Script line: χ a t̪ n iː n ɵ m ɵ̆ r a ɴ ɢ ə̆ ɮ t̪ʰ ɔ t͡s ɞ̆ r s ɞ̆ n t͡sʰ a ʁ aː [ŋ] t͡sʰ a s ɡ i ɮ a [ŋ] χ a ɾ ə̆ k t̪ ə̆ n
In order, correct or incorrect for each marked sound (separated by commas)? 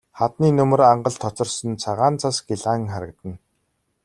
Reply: incorrect, correct